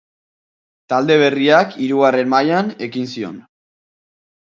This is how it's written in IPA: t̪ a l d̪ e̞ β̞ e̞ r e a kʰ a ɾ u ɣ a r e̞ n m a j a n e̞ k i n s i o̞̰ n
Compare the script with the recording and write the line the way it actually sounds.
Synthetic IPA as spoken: t̪ a l d̪ e̞ β̞ e̞ r i a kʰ i ɾ u ɣ a r e̞ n m a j a n e̞ k i n s i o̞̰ n